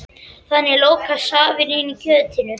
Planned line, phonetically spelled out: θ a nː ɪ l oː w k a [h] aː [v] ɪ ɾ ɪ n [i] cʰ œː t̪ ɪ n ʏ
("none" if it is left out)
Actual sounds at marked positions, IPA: s, v, i

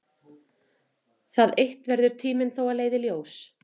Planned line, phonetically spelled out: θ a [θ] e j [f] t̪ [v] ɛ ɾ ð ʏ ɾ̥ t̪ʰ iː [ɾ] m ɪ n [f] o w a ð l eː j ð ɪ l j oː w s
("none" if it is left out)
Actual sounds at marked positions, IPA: ð, h, v, none, θ

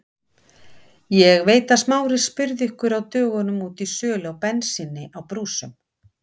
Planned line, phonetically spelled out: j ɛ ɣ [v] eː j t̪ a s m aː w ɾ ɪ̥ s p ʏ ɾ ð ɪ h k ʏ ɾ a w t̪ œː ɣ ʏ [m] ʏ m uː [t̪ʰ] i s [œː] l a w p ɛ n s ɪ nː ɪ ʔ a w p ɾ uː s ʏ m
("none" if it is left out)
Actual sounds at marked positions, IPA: v, n, t̪, œː

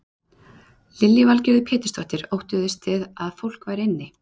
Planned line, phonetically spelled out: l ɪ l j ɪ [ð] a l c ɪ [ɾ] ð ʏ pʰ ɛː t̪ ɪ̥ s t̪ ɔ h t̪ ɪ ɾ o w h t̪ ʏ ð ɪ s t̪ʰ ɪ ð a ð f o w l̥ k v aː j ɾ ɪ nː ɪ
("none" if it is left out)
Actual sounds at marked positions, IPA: v, ɾ

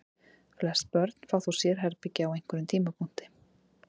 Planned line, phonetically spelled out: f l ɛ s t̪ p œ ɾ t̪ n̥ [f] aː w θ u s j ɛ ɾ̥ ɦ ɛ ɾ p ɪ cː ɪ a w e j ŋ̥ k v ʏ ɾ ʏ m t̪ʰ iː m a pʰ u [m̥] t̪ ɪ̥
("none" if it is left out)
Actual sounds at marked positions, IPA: f, n̥

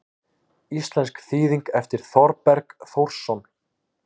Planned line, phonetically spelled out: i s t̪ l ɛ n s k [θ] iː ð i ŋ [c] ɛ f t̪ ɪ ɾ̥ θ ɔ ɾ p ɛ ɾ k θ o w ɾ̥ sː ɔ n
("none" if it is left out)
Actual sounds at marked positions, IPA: θ, k

